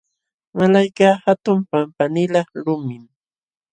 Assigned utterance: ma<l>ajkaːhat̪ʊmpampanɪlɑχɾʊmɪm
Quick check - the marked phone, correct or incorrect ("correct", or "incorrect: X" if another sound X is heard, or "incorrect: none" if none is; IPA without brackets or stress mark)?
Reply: correct